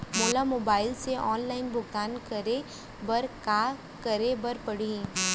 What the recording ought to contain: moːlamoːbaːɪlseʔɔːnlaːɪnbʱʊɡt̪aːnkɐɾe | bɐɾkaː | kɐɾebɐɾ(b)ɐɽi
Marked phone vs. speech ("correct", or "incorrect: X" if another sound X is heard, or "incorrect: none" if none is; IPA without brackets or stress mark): incorrect: p